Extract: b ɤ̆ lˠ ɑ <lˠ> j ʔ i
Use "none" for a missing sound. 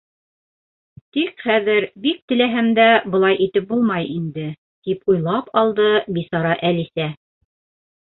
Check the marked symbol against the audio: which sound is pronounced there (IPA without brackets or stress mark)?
none